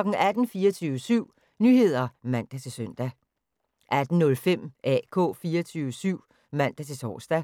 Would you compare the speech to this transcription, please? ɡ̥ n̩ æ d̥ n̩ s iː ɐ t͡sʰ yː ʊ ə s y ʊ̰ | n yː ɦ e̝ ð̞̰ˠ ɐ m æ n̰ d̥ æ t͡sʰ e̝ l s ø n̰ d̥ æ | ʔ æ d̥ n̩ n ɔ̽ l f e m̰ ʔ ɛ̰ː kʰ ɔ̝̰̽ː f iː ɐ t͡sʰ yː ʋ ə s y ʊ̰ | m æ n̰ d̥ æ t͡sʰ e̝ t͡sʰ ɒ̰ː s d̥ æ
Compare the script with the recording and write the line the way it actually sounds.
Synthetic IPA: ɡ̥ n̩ æ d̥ n̩ f iː ɐ t͡sʰ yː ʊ ə s y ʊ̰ | n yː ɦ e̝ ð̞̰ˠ ɐ m æ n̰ d̥ æ t͡sʰ e̝ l s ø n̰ d̥ æ | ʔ æ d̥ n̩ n ɔ̽ l f e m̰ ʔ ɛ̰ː kʰ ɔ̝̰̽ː f iː ɐ t͡sʰ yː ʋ ə s y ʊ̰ | m æ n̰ d̥ æ t͡sʰ e̝ t͡sʰ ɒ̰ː s d̥ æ